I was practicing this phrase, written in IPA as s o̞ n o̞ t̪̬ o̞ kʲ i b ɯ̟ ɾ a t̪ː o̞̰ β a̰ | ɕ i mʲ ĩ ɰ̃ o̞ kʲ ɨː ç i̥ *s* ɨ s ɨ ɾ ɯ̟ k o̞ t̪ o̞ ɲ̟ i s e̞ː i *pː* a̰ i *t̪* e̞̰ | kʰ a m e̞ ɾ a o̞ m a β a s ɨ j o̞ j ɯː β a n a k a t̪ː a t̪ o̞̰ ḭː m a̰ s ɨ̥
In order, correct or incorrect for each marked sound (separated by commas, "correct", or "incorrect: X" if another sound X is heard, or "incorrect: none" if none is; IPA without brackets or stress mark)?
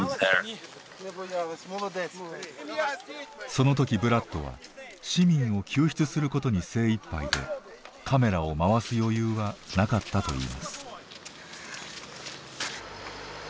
incorrect: t͡s, correct, incorrect: d̪